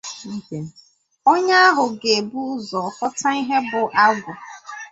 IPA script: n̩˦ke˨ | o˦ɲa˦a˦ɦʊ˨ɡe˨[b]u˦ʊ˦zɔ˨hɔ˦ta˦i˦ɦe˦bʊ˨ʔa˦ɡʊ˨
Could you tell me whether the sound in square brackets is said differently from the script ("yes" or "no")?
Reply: no